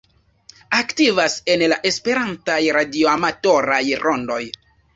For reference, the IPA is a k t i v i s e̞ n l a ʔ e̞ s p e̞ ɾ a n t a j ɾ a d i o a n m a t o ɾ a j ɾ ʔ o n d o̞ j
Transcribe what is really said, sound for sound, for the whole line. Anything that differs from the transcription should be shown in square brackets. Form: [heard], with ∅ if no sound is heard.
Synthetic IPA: a k t i v [a] s e̞ n l a ʔ e̞ s p e̞ ɾ a n t a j ɾ a d i o a [∅] m a t o ɾ a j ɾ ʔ o n d o̞ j